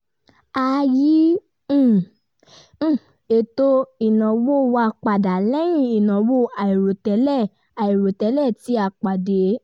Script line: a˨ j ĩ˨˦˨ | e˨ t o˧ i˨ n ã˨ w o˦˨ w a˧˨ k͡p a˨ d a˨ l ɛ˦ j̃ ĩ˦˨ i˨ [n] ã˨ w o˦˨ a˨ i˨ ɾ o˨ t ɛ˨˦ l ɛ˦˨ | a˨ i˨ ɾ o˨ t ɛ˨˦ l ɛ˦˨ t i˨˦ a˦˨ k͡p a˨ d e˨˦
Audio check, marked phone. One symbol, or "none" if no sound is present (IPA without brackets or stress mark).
n